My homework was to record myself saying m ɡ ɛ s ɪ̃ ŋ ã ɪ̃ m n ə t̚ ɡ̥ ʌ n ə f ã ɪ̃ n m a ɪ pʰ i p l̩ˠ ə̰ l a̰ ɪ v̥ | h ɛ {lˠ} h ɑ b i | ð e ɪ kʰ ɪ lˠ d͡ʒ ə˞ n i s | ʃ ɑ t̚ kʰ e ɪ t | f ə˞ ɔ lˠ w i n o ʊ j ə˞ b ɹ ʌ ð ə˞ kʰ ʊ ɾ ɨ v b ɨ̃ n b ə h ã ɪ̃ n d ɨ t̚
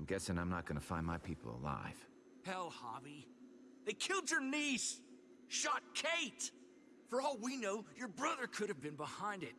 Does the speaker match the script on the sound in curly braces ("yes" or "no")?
yes